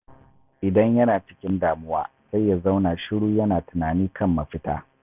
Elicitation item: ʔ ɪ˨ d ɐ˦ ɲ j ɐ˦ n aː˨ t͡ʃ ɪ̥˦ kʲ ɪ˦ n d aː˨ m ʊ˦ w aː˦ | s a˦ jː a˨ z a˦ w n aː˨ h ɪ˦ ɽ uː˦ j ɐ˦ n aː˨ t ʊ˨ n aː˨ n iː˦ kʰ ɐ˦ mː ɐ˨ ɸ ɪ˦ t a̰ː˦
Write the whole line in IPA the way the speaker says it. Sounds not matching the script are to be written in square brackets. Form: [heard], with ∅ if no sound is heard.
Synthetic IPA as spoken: ʔ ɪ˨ d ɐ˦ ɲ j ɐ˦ n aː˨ t͡ʃ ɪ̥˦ kʲ ɪ˦ n d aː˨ m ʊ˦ w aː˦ | s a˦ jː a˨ z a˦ w n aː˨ [ʃ] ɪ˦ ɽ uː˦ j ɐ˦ n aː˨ t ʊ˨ n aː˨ n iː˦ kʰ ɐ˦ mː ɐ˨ ɸ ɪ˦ t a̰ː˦